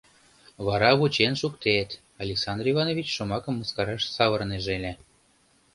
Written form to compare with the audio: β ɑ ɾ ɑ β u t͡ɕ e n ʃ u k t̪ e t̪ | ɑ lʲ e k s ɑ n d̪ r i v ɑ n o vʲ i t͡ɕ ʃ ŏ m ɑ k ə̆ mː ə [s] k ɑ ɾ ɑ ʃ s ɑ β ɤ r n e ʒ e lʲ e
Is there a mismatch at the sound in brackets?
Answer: no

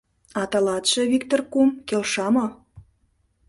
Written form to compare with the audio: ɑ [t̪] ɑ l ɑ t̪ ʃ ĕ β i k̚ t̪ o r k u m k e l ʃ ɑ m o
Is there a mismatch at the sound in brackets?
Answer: no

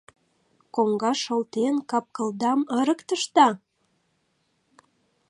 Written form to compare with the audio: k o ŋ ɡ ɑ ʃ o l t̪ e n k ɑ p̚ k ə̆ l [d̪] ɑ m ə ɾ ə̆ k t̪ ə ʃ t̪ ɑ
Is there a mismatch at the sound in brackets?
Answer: no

